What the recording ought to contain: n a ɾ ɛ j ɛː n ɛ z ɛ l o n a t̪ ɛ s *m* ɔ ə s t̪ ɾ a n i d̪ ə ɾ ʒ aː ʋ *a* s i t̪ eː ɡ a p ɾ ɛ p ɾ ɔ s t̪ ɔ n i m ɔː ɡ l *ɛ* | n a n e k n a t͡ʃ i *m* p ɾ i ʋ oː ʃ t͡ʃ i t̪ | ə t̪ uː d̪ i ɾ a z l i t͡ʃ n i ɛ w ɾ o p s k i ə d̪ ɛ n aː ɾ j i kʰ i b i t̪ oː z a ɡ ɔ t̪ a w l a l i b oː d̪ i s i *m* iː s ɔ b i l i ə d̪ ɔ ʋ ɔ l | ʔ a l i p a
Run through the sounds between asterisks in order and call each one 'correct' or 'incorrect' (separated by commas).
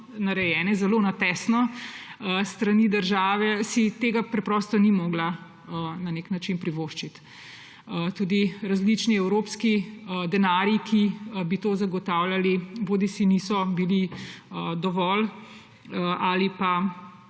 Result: incorrect, incorrect, incorrect, incorrect, incorrect